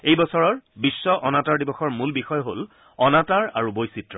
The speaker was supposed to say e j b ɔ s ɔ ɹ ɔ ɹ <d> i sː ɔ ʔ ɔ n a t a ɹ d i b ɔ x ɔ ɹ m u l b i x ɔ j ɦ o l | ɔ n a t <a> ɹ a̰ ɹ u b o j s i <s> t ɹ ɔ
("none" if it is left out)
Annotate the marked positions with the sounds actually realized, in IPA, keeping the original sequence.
b, a, none

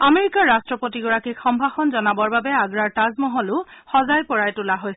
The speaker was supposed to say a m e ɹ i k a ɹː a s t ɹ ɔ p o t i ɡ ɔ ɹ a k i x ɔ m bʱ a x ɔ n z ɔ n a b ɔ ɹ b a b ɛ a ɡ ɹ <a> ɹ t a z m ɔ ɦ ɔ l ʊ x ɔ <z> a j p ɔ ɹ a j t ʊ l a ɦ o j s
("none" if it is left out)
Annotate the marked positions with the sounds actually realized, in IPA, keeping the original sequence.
a, z

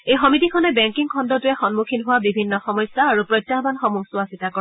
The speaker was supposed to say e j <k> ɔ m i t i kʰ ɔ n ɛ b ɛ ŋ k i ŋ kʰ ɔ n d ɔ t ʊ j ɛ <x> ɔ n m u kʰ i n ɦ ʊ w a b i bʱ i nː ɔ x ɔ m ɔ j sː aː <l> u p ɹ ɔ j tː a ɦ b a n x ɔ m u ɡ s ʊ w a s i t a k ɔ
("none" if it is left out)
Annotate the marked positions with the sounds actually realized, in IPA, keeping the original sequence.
x, x, ɹ

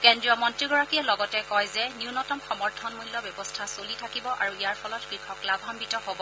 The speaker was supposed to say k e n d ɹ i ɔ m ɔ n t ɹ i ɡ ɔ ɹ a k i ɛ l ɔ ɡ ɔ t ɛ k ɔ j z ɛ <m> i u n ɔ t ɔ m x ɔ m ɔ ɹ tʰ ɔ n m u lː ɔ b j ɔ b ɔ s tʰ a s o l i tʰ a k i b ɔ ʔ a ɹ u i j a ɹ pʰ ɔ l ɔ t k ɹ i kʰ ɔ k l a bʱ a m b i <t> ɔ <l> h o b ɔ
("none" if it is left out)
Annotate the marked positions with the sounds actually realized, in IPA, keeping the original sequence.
n, t, none

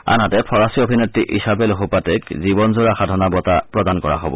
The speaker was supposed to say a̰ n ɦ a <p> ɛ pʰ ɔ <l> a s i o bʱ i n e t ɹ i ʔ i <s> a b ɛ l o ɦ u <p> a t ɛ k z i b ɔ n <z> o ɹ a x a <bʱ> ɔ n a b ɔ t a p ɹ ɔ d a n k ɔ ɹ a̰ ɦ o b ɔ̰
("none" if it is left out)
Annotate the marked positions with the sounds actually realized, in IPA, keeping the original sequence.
t, ɹ, s, p, z, dʱ

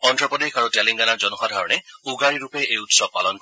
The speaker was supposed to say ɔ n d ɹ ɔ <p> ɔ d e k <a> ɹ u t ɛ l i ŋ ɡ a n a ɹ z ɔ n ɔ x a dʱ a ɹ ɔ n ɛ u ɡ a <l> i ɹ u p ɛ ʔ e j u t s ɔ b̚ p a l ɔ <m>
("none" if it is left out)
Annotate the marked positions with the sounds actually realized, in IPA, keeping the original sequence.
p, a, ɹ, n

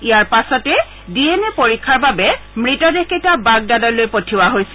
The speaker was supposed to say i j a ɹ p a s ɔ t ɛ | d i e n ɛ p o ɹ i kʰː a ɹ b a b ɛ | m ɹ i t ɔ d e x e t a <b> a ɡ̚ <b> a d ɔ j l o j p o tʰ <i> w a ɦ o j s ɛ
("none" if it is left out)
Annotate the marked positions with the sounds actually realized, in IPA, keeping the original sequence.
b, d, i

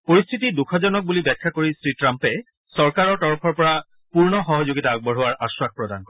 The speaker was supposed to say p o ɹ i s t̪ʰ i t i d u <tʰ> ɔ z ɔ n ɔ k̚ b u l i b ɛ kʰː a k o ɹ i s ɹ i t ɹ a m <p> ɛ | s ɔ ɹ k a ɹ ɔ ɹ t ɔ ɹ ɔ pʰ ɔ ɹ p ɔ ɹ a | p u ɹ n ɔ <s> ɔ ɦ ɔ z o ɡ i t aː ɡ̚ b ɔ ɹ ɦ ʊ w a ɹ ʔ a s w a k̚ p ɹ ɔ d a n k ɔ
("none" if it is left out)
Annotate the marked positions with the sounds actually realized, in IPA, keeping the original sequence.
kʰ, p, x

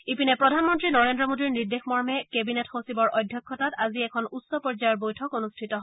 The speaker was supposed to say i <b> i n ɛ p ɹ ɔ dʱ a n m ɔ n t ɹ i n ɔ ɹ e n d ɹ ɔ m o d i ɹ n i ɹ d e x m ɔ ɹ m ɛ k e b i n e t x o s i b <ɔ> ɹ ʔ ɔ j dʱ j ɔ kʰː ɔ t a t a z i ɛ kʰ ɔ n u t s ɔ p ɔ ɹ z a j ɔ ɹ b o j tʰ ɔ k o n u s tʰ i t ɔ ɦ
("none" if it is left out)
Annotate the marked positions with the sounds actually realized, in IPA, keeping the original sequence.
p, ɔ

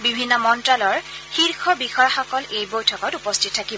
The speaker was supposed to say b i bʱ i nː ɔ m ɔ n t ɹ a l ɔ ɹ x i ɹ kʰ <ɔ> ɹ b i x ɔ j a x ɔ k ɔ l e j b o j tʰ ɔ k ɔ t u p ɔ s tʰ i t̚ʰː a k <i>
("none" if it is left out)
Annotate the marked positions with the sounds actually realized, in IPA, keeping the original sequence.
ɔ, i

